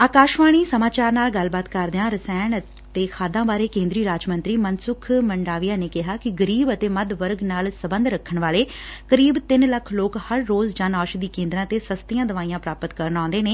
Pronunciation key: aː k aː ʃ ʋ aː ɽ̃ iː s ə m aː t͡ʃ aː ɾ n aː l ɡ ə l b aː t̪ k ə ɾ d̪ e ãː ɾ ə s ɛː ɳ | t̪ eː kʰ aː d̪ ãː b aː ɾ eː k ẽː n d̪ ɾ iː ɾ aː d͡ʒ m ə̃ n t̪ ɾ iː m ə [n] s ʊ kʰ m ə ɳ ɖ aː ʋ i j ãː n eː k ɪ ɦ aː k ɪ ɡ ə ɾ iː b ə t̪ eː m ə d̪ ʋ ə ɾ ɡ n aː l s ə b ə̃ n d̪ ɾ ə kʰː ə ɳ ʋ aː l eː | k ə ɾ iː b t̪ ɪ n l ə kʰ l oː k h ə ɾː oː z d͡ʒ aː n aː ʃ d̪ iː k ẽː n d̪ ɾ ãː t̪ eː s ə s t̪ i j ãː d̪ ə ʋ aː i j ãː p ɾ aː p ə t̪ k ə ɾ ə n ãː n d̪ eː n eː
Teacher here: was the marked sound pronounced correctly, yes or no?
yes